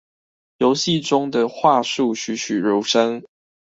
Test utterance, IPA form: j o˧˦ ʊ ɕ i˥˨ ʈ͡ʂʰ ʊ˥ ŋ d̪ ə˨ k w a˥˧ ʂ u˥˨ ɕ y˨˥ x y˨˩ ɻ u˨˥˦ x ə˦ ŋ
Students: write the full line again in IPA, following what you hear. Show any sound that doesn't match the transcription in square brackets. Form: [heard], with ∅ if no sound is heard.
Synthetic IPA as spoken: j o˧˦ ʊ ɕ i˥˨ [ʈ͡ʂ] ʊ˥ ŋ d̪ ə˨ [x] w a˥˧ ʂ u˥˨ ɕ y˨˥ [ɕ] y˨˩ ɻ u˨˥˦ [ʂ] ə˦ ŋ